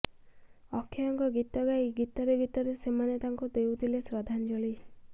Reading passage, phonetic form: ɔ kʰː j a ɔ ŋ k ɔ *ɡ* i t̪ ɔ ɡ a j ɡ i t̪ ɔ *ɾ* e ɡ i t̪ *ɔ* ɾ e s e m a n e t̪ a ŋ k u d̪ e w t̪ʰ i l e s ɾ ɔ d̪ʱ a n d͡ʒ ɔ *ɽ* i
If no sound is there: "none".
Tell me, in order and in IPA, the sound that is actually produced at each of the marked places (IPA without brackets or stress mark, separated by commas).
ɡ, ɾ, ɔ, ɭ